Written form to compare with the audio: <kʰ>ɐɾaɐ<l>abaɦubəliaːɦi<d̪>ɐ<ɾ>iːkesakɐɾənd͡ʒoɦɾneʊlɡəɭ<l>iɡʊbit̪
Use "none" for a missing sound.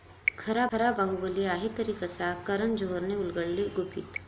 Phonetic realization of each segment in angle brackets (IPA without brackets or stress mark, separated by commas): kʰ, ɾ, t̪, ɾ, l